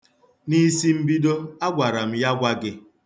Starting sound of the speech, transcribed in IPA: n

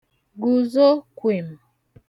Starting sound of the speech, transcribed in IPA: ɡ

